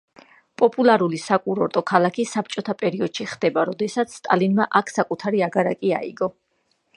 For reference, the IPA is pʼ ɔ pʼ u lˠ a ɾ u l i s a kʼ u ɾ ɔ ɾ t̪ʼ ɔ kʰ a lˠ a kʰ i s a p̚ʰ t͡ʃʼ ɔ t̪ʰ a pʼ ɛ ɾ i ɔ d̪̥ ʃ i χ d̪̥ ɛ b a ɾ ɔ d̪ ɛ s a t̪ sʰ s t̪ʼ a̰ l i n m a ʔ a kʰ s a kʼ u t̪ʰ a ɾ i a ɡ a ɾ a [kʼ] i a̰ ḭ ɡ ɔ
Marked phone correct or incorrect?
correct